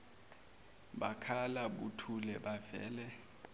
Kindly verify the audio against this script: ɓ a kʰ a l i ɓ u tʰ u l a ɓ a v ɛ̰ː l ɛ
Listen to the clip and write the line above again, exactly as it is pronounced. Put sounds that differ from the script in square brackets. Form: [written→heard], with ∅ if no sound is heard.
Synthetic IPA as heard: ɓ a kʰ a l [i→a] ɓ u tʰ u l [a→ɛ] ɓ a v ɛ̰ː l ɛ